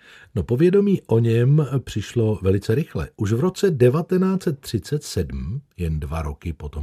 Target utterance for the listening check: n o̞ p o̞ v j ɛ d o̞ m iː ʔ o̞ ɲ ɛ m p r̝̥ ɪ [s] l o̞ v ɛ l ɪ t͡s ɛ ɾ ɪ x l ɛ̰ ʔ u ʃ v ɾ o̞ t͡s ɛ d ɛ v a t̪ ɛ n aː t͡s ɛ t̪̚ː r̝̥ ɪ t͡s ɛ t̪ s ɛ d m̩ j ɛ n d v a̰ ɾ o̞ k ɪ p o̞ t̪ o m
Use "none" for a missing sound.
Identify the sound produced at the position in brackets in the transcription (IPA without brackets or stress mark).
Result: ʃ